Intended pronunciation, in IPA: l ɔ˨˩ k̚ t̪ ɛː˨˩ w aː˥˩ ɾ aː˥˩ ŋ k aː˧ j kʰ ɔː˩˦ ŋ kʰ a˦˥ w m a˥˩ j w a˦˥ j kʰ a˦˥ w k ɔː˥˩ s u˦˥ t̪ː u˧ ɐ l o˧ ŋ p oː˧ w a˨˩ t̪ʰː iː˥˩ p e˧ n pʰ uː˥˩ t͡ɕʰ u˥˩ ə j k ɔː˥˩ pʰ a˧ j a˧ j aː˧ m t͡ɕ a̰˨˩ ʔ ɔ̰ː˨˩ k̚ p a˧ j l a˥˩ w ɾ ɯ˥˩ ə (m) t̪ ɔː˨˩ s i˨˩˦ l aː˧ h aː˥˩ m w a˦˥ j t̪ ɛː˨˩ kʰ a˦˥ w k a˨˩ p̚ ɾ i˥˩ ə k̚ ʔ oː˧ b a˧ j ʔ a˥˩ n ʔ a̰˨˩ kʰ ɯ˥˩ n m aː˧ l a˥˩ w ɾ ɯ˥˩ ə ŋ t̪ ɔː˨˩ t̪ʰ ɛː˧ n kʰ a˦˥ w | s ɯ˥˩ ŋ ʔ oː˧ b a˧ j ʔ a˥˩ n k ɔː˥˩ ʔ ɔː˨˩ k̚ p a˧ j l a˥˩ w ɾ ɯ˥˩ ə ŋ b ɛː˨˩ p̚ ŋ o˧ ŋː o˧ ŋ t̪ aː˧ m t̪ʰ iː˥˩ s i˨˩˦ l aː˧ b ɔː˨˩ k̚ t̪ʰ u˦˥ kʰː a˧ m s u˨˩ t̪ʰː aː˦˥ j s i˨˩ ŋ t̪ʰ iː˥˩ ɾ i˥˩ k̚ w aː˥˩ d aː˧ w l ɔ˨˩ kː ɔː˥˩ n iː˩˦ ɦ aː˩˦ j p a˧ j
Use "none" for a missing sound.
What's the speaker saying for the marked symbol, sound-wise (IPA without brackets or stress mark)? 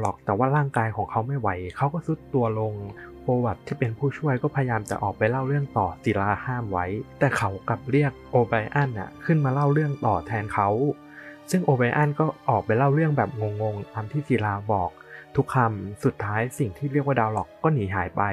ŋ